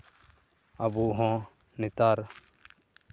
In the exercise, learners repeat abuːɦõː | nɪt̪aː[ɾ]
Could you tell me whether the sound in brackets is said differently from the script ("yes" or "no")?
no